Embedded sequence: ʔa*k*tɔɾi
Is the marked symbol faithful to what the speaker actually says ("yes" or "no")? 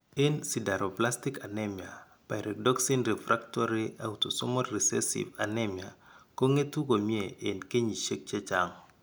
yes